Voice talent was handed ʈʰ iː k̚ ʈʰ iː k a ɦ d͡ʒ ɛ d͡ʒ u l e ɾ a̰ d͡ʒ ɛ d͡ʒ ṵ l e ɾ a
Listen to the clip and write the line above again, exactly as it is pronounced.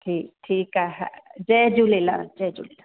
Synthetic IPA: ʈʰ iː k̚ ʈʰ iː k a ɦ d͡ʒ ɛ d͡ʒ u l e l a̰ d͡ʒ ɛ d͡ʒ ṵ l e l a